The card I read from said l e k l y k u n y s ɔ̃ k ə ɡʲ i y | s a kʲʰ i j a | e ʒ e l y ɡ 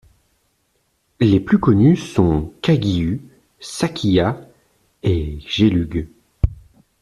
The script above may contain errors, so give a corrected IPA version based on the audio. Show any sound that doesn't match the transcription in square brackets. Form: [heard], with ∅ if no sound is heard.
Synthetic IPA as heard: l e [p] l y k [ɔ] n y s ɔ̃ k [a] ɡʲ i y | s a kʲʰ i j a | e ʒ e l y ɡ